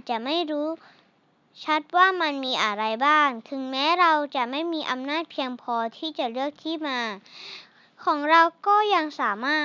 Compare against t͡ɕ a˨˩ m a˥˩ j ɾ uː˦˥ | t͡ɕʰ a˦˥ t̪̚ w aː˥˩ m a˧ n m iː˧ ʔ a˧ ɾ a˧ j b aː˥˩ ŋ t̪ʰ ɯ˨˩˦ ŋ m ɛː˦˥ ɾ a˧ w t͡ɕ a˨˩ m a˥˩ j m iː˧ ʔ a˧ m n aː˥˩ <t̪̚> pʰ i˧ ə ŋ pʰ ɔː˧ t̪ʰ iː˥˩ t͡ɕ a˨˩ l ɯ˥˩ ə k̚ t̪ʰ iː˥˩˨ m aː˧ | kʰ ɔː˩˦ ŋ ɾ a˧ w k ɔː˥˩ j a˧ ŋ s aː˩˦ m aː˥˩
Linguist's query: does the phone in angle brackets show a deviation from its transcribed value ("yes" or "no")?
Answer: no